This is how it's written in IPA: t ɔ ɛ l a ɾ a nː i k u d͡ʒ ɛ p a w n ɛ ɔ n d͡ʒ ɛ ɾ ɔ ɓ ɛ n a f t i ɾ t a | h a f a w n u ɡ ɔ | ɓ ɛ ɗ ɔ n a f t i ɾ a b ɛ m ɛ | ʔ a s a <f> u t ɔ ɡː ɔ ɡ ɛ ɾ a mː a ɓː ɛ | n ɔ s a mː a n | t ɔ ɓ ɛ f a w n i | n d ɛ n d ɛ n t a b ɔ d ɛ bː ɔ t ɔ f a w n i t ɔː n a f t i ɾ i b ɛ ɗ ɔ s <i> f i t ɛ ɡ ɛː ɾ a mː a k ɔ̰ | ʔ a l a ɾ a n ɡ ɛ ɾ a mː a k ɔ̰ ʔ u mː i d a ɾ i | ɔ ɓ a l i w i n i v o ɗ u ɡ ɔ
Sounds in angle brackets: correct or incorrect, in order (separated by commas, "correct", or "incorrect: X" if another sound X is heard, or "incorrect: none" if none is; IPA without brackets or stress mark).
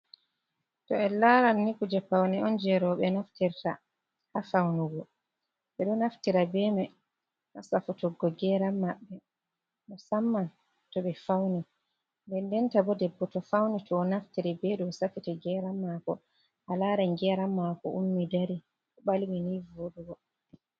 correct, incorrect: a